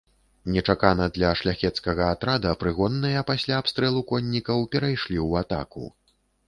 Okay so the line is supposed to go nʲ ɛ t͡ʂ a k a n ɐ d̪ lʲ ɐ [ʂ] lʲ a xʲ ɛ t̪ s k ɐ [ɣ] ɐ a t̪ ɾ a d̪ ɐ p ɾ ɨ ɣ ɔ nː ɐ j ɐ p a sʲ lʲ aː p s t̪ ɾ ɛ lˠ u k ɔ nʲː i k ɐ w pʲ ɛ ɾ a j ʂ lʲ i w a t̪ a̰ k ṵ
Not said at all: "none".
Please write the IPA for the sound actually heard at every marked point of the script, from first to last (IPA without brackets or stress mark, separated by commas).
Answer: ʂ, ɣ